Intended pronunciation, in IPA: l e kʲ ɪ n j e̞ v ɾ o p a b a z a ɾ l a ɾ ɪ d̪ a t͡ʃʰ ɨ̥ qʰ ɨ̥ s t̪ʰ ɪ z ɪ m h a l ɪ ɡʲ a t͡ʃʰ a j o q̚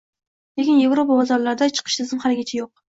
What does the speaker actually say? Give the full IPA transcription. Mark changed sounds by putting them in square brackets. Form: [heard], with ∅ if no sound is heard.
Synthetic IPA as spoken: l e kʲ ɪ n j e̞ v ɾ o p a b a z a ɾ l a ɾ ɪ d̪ a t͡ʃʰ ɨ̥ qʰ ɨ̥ [ʃ] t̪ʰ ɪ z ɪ m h a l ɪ ɡʲ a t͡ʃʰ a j o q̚

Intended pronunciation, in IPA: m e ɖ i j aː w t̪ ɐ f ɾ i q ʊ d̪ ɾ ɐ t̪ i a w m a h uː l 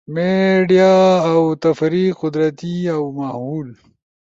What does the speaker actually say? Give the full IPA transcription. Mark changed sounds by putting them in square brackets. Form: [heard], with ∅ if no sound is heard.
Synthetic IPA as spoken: m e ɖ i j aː w t̪ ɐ f ɾ i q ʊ d̪ ɾ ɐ t̪ i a w m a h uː l

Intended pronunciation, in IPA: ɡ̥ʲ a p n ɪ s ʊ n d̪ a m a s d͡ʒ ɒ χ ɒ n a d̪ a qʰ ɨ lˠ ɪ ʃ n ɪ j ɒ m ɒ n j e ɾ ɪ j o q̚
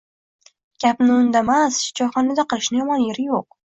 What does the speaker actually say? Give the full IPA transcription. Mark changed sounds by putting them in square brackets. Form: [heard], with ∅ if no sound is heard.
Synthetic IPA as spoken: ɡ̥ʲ a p n ɪ [∅] ʊ n d̪ a m a s d͡ʒ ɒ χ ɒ n a d̪ a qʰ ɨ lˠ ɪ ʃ n ɪ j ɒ m ɒ n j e ɾ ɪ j o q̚

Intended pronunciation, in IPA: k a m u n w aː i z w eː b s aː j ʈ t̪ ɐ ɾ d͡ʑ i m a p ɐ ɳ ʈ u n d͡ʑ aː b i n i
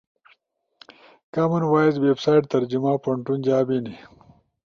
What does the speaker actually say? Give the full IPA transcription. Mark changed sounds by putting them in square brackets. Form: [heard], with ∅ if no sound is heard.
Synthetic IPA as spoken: k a m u n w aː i z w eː b s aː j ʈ t̪ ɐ ɾ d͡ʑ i m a p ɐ ɳ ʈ u n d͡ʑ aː b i n i

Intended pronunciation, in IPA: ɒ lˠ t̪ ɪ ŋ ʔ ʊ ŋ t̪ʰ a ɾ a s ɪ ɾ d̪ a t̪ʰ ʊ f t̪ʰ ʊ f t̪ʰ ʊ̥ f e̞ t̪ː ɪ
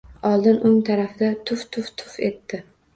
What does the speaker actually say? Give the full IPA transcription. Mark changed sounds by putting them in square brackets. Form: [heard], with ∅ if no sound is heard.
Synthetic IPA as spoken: ɒ lˠ [d̪] ɪ [n] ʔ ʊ ŋ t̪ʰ a ɾ a [f] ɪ [∅] d̪ a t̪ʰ ʊ f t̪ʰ ʊ f t̪ʰ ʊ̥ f e̞ t̪ː ɪ

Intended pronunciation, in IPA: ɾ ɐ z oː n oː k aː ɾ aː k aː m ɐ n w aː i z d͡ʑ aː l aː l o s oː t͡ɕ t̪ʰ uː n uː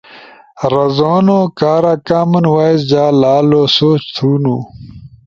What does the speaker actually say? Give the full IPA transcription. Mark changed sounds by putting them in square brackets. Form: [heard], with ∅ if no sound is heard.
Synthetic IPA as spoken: ɾ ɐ z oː n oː k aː ɾ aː k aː m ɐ n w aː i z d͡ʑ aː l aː l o s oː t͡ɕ t̪ʰ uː n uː

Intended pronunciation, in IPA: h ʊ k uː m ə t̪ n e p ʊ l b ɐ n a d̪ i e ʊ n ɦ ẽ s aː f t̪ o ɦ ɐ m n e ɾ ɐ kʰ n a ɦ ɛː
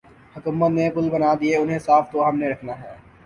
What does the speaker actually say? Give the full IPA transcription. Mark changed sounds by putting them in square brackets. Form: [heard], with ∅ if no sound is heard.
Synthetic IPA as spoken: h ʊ k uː m ə t̪ n e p ʊ l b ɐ n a d̪ i e ʊ n ɦ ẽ s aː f t̪ o ɦ ɐ m n e ɾ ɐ kʰ n a ɦ ɛː

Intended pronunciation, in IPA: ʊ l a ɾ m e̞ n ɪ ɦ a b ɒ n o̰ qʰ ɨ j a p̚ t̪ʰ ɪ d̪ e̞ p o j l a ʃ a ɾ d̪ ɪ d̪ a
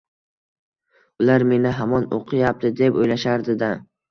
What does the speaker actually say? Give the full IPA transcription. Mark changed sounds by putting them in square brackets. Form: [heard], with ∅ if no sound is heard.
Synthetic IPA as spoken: ʊ l a ɾ m e̞ n ɪ ɦ a [m] ɒ n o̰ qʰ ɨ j a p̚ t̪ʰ ɪ d̪ e̞ p o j l a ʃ a ɾ d̪ ɪ d̪ a

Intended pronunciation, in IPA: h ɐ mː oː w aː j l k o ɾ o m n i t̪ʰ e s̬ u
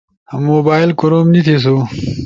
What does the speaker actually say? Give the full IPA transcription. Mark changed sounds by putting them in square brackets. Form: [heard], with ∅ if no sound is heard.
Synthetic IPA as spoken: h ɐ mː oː [b] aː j l k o ɾ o m n i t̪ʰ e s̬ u

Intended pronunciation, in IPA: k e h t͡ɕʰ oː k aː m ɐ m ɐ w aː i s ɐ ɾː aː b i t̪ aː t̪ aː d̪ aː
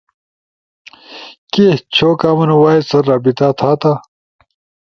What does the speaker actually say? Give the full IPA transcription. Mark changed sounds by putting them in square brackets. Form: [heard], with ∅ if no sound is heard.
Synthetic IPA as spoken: k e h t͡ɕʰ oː k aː m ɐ [n] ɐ w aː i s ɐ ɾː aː b i t̪ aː [t̪ʰ] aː [t̪] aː

